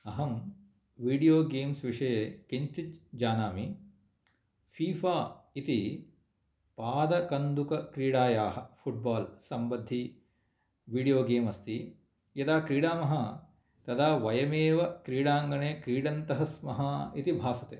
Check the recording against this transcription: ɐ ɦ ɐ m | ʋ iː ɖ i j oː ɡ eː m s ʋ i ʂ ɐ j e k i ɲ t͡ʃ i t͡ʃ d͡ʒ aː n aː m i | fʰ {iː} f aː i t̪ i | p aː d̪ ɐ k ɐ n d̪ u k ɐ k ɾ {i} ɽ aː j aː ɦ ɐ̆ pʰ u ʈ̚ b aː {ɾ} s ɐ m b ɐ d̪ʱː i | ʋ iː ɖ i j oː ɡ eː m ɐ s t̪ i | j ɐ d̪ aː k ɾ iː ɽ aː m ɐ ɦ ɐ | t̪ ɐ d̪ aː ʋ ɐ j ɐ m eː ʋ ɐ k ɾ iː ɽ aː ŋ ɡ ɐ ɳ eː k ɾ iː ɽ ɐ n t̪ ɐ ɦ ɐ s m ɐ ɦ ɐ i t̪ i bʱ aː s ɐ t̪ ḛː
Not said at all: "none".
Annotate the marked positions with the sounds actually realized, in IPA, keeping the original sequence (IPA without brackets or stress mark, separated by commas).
iː, iː, l